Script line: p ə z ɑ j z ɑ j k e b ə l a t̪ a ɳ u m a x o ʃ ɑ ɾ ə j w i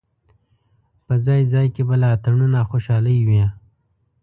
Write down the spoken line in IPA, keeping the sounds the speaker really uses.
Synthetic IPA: p ə z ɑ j z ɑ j k e b a l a t̪ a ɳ u n a x o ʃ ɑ l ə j w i